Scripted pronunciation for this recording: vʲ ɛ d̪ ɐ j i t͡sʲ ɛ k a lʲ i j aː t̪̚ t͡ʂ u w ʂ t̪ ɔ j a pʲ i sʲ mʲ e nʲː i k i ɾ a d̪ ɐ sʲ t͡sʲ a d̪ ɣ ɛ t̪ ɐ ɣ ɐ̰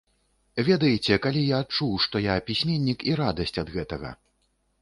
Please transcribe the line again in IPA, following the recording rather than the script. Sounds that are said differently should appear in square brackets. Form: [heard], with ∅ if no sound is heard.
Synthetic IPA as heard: vʲ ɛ d̪ ɐ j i t͡sʲ ɛ k a lʲ i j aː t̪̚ t͡ʂ u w ʂ t̪ ɔ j a pʲ i sʲ mʲ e nʲː i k i ɾ a d̪ ɐ sʲ t͡sʲ [ɐ] d̪ ɣ ɛ t̪ ɐ ɣ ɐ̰